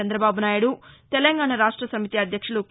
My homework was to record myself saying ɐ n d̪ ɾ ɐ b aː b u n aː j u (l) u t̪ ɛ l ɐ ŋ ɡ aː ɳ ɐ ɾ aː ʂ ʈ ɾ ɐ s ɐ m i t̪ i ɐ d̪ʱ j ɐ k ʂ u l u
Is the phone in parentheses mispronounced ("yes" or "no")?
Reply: yes